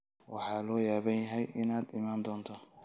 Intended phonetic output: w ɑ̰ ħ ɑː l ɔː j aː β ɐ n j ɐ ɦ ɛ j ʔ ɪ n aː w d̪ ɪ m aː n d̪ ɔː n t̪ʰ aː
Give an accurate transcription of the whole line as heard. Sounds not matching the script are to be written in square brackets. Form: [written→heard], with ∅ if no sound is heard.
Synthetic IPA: w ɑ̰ ħ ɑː l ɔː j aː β ɐ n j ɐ ɦ ɛ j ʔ ɪ n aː [w→∅] d̪ ɪ m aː n d̪ ɔː n t̪ʰ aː